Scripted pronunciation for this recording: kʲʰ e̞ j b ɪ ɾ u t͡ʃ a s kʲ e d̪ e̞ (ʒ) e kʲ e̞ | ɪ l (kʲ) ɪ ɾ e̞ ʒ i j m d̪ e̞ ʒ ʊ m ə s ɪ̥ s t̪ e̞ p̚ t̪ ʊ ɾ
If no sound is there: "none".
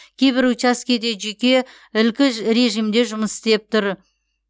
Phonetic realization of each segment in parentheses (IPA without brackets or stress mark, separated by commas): ʒ, kʲ